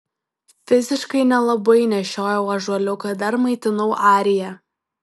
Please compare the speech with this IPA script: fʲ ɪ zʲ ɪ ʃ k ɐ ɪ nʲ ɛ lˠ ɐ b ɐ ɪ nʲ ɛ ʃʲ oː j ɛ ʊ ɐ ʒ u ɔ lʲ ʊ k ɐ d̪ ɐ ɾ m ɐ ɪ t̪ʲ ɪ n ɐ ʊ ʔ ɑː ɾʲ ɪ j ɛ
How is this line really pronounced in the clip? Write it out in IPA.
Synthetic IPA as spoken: fʲ ɪ zʲ ɪ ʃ k ɐ ɪ nʲ ɛ lˠ ɐ b ɐ ɪ nʲ ɛ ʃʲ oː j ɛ ʊ ɐ ʒ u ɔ lʲ ʊ k ɐ d̪ ɐ ɾ m ɐ ɪ t̪ʲ ɪ n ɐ ʊ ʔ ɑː ɾʲ ɪ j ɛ